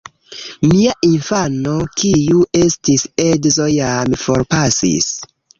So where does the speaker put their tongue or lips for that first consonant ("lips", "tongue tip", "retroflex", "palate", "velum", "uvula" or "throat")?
lips